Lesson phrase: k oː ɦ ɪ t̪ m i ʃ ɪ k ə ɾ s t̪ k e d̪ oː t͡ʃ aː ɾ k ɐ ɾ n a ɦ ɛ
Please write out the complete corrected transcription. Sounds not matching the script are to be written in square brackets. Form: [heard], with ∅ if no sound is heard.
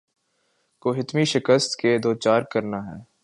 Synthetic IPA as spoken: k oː ɦ ɪ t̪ m i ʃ ɪ k ə [∅] s t̪ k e d̪ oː t͡ʃ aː ɾ k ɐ ɾ n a ɦ [ɛː]